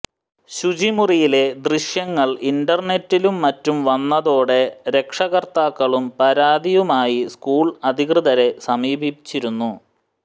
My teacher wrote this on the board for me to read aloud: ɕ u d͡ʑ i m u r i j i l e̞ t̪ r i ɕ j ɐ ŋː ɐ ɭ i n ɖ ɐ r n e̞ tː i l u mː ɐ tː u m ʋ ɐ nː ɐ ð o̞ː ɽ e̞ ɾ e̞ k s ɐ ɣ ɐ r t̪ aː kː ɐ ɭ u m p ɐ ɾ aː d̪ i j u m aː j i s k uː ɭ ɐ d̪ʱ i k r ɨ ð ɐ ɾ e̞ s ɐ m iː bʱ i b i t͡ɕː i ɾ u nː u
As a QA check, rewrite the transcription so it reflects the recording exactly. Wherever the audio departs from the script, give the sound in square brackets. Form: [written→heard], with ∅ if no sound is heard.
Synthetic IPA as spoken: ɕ u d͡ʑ i m u r i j i l e̞ [t̪→d̪] r i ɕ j ɐ ŋː ɐ ɭ i n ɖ ɐ r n e̞ tː i l u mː ɐ tː u m ʋ ɐ nː ɐ ð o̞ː ɽ e̞ ɾ e̞ k [s→ʂ] ɐ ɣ ɐ r t̪ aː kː ɐ ɭ u m p ɐ ɾ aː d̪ i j u m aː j i s k uː ɭ ɐ d̪ʱ i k r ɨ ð ɐ ɾ e̞ s ɐ m iː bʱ i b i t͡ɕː i ɾ u nː u

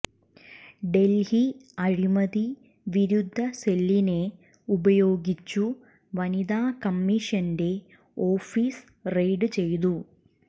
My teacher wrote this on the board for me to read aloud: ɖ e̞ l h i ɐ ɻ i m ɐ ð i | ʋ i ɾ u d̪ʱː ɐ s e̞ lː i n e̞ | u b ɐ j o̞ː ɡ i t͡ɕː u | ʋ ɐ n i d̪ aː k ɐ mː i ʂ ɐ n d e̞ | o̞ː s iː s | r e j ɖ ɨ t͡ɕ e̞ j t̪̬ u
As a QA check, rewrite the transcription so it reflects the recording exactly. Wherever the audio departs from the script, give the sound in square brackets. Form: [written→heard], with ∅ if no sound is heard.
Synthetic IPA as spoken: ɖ e̞ l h i ɐ ɻ i m ɐ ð i | ʋ i ɾ u d̪ʱː ɐ s e̞ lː i n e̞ | u b ɐ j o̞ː ɡ i t͡ɕː u | ʋ ɐ n i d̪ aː k ɐ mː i ʂ ɐ n d e̞ | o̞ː [s→f] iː s | r e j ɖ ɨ t͡ɕ e̞ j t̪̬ u

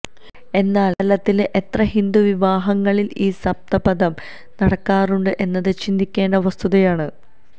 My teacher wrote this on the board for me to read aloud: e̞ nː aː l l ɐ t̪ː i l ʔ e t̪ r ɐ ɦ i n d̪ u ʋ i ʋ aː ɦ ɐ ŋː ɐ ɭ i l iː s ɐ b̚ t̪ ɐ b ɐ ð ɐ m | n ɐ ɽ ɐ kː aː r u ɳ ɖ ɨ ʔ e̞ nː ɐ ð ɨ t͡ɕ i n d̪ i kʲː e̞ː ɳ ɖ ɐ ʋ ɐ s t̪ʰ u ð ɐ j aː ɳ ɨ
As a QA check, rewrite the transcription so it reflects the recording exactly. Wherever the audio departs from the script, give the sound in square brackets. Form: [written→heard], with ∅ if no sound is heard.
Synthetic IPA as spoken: e̞ nː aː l l ɐ t̪ː i l ʔ e t̪ r ɐ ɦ i n d̪ u ʋ i ʋ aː ɦ ɐ ŋː ɐ ɭ i l iː s ɐ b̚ t̪ ɐ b ɐ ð ɐ m | n ɐ ɽ ɐ kː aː r u ɳ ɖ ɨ ʔ e̞ nː ɐ ð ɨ t͡ɕ i n d̪ i kʲː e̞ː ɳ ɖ ɐ ʋ ɐ s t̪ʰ u ð ɐ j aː ɳ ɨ

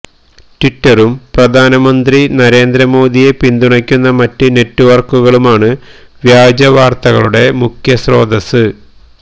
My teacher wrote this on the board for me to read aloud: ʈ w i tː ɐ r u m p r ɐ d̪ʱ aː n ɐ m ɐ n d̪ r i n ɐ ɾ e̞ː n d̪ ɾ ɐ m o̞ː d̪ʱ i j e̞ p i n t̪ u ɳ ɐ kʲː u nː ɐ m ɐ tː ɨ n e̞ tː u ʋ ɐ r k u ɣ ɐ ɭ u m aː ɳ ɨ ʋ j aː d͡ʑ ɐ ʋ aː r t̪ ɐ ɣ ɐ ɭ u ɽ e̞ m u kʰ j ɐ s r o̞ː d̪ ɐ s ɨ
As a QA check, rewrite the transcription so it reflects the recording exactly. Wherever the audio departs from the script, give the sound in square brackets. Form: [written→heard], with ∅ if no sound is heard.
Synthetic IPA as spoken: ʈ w i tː ɐ r u m p r ɐ d̪ʱ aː n ɐ m ɐ n d̪ r i n ɐ ɾ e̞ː n d̪ ɾ ɐ m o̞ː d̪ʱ i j e̞ p i n [t̪→d̪] u ɳ ɐ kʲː u nː ɐ m ɐ tː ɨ n e̞ tː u ʋ ɐ r k u ɣ ɐ ɭ u m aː ɳ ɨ ʋ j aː d͡ʑ ɐ ʋ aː r t̪ ɐ ɣ ɐ ɭ u ɽ e̞ m u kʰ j ɐ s r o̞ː d̪ ɐ s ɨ

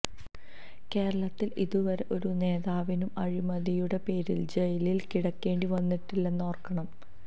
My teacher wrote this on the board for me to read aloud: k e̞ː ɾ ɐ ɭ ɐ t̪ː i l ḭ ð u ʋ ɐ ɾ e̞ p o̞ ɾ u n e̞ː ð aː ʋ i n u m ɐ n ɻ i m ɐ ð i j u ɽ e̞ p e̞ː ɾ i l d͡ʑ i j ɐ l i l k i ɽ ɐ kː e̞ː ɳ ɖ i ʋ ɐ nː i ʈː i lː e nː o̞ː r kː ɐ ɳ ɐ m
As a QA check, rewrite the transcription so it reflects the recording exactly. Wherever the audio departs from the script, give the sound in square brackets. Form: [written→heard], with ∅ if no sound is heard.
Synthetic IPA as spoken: k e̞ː ɾ ɐ ɭ ɐ t̪ː i l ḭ ð u ʋ ɐ ɾ e̞ [p→ʔ] o̞ ɾ u n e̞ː ð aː ʋ i n u m ɐ [n→∅] ɻ i m ɐ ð i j u ɽ e̞ p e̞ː ɾ i l d͡ʑ [i→e] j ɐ l i l k i ɽ ɐ kː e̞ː ɳ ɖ i ʋ ɐ nː i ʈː i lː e nː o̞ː r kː ɐ ɳ ɐ m

